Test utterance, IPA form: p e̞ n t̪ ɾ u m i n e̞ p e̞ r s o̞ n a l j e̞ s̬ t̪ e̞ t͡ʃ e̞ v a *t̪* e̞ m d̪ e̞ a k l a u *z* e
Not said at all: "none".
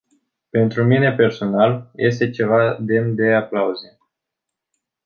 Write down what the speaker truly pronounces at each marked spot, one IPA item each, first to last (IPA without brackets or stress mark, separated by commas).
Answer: d̪, z